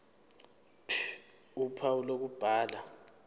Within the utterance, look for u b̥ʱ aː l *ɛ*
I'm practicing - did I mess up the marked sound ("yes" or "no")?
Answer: yes